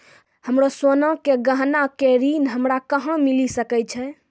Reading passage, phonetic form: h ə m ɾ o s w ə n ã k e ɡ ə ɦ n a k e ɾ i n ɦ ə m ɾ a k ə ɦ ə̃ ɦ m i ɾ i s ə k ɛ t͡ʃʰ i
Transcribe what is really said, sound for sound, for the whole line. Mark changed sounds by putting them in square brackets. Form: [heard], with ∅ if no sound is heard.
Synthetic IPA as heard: h ə m ɾ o s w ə n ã k e ɡ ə ɦ n a k e ɾ i n ɦ ə m ɾ a k ə ɦ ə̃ [∅] m i [l] i s ə k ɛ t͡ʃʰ [ɛ]